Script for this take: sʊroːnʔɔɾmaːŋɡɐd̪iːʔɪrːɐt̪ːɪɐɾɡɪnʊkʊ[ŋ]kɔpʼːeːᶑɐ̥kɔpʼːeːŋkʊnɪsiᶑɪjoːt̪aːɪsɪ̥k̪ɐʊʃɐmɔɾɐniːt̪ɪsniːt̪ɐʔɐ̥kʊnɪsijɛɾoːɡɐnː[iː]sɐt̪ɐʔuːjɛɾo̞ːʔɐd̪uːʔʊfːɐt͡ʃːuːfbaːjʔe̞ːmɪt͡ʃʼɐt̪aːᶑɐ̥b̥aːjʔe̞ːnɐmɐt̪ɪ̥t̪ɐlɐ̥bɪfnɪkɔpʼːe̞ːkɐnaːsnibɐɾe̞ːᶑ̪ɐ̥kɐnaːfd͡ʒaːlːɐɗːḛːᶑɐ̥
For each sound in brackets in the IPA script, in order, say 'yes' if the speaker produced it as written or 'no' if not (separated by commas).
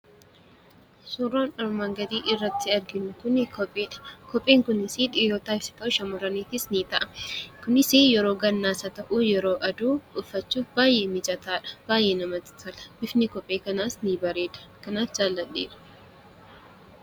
no, no